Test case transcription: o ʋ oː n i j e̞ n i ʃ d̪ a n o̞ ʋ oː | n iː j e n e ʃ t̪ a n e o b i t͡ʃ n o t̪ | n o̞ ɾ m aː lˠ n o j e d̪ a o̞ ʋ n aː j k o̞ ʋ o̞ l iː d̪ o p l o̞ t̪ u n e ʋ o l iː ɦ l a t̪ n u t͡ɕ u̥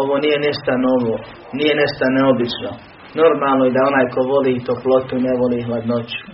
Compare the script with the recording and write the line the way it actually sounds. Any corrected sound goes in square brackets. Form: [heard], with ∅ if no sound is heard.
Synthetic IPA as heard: o ʋ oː n i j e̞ n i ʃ [t̪] a n o̞ ʋ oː | n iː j e n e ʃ t̪ a n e o b i t͡ʃ n o [∅] | n o̞ ɾ m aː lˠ n o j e d̪ a o̞ [∅] n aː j k o̞ ʋ o̞ l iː [t̪] o p l o̞ t̪ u n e ʋ o l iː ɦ l a [d̪] n [o] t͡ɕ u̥